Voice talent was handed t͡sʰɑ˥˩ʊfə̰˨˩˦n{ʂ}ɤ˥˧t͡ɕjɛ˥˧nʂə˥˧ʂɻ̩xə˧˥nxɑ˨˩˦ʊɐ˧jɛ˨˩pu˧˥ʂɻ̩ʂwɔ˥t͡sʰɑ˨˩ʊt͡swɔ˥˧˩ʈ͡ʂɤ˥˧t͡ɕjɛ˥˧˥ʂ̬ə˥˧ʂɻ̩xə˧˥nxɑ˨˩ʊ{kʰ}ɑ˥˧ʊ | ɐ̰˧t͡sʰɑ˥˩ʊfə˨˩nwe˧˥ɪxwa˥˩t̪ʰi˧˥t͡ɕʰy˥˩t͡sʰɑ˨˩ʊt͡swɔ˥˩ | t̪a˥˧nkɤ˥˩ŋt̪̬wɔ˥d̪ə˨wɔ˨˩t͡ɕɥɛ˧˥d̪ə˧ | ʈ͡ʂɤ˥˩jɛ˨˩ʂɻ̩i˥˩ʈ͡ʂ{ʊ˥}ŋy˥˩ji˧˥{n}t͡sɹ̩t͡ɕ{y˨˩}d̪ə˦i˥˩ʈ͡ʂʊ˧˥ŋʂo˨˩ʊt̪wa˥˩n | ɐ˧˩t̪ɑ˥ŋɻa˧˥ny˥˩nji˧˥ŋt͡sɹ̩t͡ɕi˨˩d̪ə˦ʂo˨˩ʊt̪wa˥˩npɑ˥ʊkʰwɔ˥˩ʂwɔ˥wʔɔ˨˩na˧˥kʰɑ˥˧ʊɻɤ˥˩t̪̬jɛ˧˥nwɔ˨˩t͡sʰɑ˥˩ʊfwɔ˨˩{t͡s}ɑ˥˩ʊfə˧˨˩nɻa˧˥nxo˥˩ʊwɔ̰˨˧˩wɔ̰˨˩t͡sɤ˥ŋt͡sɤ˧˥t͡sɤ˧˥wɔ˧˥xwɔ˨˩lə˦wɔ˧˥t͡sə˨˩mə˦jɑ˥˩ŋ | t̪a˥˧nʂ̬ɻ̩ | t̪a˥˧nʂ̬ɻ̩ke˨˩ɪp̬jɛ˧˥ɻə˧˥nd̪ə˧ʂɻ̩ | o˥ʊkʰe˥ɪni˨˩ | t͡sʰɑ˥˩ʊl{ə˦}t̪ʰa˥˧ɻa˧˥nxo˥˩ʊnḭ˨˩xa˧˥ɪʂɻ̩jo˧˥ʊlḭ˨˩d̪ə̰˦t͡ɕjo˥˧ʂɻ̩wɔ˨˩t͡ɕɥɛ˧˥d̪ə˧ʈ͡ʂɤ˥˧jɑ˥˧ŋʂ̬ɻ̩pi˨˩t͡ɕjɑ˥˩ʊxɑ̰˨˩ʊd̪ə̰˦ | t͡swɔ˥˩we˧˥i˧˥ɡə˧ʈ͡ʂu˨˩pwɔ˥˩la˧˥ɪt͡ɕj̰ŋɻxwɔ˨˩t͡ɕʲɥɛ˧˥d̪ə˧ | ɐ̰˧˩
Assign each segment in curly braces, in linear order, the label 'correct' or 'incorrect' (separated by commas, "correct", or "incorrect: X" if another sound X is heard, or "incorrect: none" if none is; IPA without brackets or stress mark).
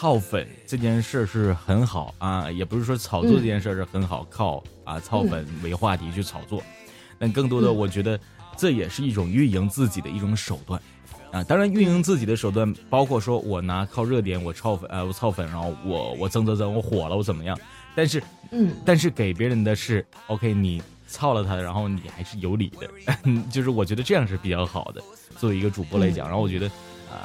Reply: incorrect: ʈ͡ʂ, correct, incorrect: ʊ˨˩, incorrect: ŋ, incorrect: i˨˩, incorrect: t͡sʰ, incorrect: ə˩